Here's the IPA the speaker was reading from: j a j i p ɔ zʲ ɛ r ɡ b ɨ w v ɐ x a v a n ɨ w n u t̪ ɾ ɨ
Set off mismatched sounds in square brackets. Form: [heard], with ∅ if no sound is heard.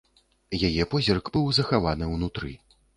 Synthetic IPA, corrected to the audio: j a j [ɛ] p ɔ zʲ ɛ r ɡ b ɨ w [z] ɐ x a v a n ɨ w n u t̪ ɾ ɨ